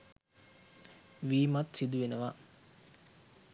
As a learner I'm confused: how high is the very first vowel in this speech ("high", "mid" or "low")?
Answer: high